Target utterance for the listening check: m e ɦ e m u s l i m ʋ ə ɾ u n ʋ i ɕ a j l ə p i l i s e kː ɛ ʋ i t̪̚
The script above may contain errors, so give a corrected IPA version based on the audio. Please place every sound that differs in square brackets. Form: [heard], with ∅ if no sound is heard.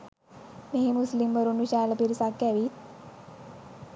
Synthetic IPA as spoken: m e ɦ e m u s l i m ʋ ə ɾ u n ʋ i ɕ a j l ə p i [ɾ] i s [a] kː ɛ ʋ i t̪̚